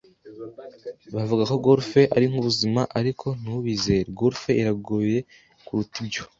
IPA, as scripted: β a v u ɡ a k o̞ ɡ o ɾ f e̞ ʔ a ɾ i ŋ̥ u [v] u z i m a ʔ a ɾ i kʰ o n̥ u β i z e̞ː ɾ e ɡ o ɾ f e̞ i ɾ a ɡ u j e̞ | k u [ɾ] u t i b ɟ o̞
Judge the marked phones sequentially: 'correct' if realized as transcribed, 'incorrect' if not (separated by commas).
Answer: incorrect, correct